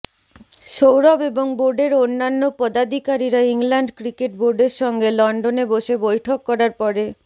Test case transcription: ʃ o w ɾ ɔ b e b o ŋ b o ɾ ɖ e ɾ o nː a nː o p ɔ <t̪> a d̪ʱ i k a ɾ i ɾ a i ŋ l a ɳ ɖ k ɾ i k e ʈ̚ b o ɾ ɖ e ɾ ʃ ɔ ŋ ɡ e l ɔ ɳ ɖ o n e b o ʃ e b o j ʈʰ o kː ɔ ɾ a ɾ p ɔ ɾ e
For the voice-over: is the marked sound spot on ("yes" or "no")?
no